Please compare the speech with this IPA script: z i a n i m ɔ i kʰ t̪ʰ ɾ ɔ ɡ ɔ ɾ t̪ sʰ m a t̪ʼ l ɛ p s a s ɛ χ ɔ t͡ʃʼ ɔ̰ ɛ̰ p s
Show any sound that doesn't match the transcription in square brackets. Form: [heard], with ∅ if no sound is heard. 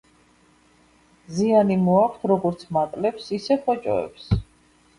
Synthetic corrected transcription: z i a n i m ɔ [a] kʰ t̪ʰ ɾ ɔ ɡ ɔ ɾ t̪ sʰ m a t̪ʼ l ɛ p s [i] s ɛ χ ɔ t͡ʃʼ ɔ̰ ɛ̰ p s